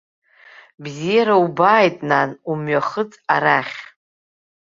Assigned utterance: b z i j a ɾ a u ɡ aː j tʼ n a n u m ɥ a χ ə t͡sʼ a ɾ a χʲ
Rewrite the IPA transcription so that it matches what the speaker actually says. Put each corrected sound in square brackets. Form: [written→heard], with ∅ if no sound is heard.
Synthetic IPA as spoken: b z i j a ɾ a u [ɡ→b] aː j tʼ n a n u m ɥ a χ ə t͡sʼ a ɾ a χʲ

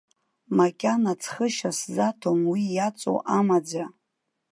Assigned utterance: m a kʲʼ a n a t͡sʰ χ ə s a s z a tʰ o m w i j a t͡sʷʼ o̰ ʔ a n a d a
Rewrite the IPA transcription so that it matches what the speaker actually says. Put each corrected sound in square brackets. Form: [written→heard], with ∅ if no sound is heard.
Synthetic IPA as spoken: m a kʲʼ a n a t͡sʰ χ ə [s→ʃ] a s z a tʰ o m w i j a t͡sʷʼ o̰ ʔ a [n→m] a [d→d͡z] a

